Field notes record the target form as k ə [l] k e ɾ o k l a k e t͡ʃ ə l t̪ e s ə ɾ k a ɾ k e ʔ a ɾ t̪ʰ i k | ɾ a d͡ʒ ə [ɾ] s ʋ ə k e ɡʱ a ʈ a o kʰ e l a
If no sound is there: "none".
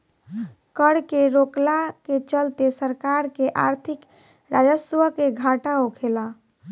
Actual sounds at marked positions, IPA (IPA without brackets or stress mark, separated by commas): ɽ, none